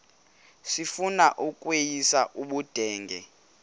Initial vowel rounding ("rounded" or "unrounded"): unrounded